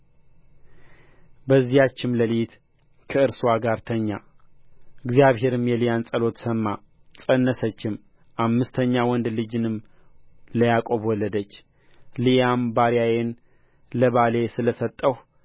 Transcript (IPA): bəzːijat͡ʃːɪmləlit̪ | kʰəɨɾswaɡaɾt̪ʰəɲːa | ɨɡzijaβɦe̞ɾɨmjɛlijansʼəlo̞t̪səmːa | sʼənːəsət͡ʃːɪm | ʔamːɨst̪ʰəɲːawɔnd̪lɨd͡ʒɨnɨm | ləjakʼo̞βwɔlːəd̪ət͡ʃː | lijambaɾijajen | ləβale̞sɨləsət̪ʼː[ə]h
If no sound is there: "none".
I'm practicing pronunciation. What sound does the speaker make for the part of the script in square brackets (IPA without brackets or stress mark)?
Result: ə